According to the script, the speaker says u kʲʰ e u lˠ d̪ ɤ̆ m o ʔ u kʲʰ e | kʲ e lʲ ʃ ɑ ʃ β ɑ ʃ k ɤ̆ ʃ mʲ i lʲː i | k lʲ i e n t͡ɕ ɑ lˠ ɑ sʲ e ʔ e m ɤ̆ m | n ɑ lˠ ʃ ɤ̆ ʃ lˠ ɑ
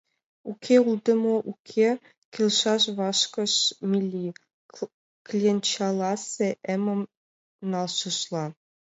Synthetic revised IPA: u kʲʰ e u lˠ d̪ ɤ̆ m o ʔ u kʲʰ e | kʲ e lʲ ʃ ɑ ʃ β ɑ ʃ k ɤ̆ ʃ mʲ i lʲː i | k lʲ i e n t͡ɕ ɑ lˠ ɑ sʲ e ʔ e m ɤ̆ m | n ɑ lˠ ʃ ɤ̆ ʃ lˠ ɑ